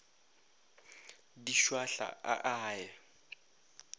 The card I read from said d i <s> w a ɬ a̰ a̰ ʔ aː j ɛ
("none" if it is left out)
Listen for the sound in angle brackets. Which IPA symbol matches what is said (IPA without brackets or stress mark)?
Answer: ʃ